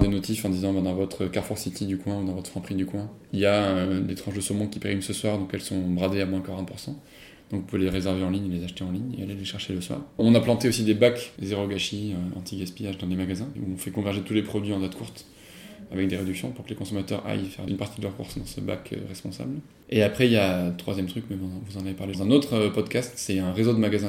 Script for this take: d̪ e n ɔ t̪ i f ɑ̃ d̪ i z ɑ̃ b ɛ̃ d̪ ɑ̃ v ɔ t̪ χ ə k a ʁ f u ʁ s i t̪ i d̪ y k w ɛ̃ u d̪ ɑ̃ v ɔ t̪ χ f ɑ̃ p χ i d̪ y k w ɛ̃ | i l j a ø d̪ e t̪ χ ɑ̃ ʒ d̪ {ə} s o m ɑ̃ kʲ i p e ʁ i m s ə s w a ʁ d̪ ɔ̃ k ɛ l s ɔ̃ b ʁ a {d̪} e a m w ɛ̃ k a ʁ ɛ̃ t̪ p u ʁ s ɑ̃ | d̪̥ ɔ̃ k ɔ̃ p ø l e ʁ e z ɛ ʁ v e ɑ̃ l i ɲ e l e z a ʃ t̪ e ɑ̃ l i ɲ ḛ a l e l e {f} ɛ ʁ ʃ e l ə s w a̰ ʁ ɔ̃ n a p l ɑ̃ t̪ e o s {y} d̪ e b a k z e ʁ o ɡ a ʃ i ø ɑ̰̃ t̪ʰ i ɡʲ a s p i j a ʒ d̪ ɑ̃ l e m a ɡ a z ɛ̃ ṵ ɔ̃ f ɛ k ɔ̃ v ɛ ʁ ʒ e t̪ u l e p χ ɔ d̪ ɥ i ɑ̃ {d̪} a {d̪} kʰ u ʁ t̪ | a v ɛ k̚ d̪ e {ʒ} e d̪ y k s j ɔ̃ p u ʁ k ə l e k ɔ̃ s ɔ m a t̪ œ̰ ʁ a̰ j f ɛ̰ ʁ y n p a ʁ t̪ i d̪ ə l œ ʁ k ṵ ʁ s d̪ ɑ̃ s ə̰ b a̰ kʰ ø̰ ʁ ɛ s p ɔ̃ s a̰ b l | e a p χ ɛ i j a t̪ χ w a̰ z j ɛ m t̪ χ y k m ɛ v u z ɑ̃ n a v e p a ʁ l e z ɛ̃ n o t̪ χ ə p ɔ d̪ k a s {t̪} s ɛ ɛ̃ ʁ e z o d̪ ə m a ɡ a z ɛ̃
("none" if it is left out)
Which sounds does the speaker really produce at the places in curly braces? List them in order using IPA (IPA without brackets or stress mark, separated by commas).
ə, d̪, ʃ, i, d̪, t̪, ʁ, t̪